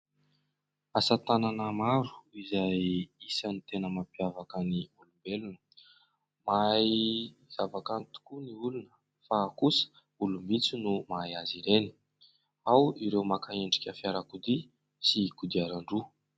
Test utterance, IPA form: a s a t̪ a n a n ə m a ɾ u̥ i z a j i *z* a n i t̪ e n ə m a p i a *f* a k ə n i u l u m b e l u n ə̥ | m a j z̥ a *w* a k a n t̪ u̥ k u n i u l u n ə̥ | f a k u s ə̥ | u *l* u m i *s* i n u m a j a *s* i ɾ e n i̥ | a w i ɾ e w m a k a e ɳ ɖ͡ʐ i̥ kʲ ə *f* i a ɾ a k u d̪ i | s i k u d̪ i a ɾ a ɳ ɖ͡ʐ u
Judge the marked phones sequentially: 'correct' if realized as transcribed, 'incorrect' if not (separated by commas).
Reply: incorrect, incorrect, incorrect, correct, incorrect, incorrect, correct